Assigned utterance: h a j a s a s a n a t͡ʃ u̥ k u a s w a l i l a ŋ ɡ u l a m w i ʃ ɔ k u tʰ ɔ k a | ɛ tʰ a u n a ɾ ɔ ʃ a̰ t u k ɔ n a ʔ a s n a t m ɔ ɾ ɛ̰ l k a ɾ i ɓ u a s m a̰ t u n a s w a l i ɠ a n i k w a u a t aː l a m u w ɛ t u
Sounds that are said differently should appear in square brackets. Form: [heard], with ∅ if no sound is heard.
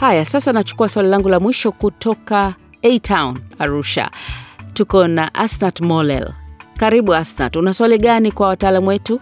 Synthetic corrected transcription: h a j a s a s a n a t͡ʃ u̥ k u a s w a l i l a ŋ ɡ u l a m w i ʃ ɔ k u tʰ ɔ k a | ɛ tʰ a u n a ɾ [u] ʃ a̰ t u k ɔ n a ʔ a s n a t m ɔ [l] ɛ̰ l k a ɾ i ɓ u a s [n] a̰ t u n a s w a l i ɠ a n i k w a [w] a t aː l a m u w ɛ t u